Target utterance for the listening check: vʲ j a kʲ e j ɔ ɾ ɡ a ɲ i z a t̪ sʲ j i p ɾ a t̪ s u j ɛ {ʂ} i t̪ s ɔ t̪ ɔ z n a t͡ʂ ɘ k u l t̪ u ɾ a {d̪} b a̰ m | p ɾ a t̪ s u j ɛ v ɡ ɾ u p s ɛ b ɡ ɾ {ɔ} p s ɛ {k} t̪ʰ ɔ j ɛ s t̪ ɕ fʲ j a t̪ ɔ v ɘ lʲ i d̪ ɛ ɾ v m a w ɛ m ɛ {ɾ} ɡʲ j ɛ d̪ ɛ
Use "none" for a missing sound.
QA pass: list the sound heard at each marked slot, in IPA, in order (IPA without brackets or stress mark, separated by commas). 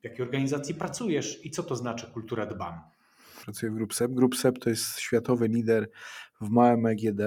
ʂ, d̪, u, p, none